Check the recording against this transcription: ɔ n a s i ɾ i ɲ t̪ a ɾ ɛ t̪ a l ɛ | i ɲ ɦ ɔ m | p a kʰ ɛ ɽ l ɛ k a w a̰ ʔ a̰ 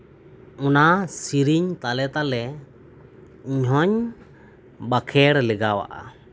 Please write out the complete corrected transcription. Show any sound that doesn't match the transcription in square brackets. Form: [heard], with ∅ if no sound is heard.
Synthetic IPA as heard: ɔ n a s i ɾ i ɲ t̪ a [l] ɛ t̪ a l ɛ | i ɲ ɦ ɔ [ɲ] | [b] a kʰ ɛ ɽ l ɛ [ɡ] a w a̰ ʔ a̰